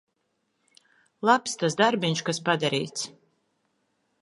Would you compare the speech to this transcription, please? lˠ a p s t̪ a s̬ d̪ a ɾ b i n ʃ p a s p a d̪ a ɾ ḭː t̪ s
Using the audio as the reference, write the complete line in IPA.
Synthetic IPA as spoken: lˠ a p s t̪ a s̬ d̪ a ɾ b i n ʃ k a s p a d̪ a ɾ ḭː t̪ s